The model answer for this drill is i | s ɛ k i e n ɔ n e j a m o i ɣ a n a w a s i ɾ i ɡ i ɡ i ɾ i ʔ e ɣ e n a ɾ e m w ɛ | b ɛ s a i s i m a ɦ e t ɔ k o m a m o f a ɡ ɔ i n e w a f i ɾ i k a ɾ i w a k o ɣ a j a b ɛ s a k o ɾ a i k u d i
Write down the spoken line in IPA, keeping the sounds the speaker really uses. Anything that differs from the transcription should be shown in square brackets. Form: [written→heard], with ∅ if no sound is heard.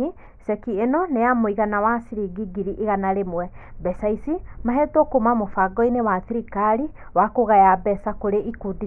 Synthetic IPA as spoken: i | s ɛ k i e n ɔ n e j a m o i ɣ a n a w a s i ɾ i ɡ i ɡ i ɾ i ʔ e ɣ [e→a] n a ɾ e m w ɛ | b ɛ s a i s i m a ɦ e t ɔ k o m a m o f a ɡ ɔ i n e w a [f→θ] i ɾ i k a ɾ i w a k o ɣ a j a b ɛ s a k o ɾ [a→e] i k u d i